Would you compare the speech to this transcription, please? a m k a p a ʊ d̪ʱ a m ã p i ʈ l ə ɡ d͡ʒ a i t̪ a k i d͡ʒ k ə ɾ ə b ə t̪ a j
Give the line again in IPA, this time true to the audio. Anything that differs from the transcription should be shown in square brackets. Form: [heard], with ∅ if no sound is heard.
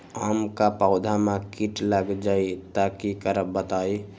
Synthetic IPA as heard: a m k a p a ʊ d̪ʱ a m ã [k] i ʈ l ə ɡ d͡ʒ a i t̪ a k i [∅] k ə ɾ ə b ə t̪ a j